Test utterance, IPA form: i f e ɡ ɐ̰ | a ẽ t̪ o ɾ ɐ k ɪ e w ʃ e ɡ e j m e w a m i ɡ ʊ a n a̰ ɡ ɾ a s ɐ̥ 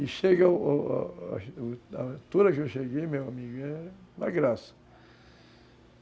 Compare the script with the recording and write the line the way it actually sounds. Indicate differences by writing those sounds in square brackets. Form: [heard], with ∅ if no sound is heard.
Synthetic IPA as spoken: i [ʃ] e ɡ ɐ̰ | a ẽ t̪ [u] ɾ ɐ k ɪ e w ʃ e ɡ e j m e w a m i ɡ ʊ [ɛ] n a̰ ɡ ɾ a s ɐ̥